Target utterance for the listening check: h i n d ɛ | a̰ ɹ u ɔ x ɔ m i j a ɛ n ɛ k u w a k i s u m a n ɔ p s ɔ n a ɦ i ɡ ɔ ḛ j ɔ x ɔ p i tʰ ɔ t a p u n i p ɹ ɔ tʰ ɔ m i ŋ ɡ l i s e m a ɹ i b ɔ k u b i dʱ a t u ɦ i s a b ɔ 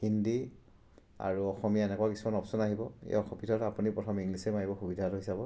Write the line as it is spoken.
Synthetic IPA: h i n d i | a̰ ɹ u ɔ x ɔ m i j a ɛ n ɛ k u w a k i s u m a n ɔ p s ɔ n a ɦ i b ɔ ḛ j ɔ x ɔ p i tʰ ɔ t a p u n i p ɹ ɔ tʰ ɔ m i ŋ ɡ l i s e m a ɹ i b ɔ x u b i dʱ a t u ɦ i s a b ɔ